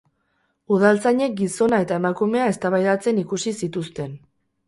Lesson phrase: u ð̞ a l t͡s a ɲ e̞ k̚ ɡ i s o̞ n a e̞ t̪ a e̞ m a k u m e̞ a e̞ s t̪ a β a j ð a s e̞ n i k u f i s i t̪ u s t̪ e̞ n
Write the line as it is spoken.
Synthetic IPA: u ð̞ a l t͡s a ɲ e̞ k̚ ɡ i s o̞ n a e̞ t̪ a e̞ m a k u m e̞ a e̞ s t̪ a β a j ð a t͡s e̞ n i k u s i s i t̪ u s t̪ e̞ n